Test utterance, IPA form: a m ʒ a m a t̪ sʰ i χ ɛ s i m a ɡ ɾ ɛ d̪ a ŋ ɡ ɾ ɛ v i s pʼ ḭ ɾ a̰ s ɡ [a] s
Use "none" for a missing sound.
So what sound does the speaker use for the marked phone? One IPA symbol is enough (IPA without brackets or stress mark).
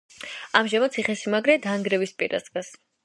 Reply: a